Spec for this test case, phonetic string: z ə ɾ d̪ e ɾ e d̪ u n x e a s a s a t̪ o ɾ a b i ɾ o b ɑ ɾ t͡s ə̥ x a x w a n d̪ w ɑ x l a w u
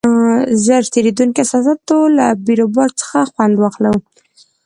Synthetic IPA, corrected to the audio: z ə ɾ t̪ e ɾ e d̪ u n k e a s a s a t̪ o l a b i ɾ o b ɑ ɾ t͡s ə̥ x a x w a n d̪ w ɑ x l a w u